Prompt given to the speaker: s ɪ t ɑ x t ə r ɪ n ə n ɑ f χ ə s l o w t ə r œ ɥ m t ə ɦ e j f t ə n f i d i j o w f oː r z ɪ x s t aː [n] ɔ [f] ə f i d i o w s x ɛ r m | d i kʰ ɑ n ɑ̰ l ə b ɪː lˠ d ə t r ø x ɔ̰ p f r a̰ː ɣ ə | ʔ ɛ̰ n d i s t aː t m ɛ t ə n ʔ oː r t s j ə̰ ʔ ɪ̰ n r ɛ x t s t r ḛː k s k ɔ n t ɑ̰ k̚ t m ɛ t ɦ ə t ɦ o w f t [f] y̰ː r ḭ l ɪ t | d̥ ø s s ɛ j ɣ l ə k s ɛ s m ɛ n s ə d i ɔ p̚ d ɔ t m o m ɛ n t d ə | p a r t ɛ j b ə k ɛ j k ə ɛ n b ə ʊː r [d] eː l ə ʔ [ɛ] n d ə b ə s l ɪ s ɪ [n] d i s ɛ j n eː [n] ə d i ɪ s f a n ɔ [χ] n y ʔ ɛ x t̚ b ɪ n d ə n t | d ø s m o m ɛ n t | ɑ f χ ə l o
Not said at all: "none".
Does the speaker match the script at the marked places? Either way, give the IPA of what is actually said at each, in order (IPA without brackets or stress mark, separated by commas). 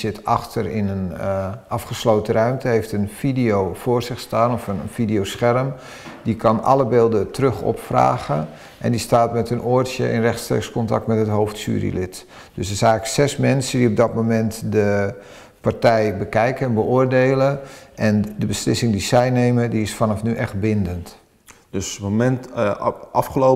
n, f, s, d, ɛ, ŋ, m, f